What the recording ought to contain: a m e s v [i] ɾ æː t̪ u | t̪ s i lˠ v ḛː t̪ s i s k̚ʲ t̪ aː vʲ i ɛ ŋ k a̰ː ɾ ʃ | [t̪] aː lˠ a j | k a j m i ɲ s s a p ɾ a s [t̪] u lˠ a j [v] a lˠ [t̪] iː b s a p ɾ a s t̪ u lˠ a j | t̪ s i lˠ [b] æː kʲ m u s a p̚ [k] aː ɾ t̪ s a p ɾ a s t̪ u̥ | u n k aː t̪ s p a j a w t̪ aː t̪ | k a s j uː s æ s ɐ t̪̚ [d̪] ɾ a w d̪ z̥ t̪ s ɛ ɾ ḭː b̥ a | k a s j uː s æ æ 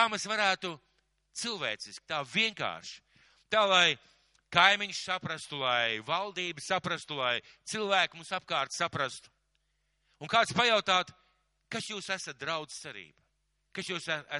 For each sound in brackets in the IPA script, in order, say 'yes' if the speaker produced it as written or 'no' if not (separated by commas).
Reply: no, yes, yes, yes, no, no, yes, yes